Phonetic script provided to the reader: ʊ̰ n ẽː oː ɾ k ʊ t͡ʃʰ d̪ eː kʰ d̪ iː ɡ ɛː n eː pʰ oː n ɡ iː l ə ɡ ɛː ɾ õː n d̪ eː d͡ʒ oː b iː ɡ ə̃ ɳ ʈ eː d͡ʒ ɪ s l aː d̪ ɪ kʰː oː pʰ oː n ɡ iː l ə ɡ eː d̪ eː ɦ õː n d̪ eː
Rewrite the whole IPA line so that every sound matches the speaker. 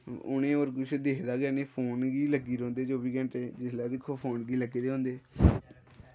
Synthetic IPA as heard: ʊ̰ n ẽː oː ɾ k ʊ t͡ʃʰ d̪ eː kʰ d̪ aː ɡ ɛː n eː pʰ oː n ɡ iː l ə ɡ iː ɾ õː n d̪ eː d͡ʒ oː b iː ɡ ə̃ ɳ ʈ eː d͡ʒ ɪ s l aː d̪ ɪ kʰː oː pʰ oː n ɡ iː l ə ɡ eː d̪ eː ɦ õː n d̪ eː